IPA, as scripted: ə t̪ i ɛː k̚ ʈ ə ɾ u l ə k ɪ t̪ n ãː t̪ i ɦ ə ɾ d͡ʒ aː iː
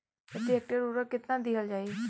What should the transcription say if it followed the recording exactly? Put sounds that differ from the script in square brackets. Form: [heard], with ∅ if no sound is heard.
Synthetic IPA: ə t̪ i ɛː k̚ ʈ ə ɾ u [ɾ] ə k ɪ t̪ n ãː [d̪] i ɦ ə [l] d͡ʒ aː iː